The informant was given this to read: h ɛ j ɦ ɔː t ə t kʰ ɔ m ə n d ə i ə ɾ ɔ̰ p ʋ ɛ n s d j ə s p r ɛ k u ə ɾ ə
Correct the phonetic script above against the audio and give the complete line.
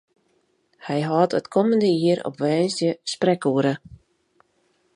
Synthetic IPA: h ɛ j ɦ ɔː t ə t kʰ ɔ m ə n d ə i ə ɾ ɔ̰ p ʋ ɛː n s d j ə s p r ɛ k u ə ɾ ə